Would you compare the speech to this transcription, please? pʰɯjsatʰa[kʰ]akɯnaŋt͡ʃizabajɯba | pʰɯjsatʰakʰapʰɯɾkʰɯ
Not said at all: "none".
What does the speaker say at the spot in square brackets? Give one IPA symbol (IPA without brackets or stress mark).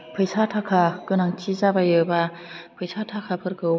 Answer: kʰ